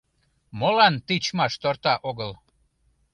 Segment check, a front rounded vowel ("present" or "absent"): absent